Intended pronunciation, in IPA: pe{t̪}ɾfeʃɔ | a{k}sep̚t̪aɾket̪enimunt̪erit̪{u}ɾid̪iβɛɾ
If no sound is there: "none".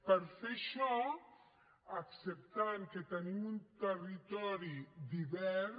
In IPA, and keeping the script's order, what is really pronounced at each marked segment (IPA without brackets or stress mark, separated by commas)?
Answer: none, k, ɔ